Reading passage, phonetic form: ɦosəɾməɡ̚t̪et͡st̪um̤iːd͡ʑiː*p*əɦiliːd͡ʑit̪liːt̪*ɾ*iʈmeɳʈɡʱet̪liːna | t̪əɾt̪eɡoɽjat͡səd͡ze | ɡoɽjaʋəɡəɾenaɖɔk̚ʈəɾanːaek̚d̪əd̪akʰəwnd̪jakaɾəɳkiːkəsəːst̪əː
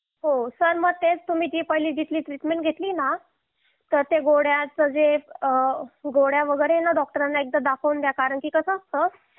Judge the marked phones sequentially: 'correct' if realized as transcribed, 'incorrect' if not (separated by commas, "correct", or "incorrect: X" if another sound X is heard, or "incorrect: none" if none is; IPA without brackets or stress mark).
correct, correct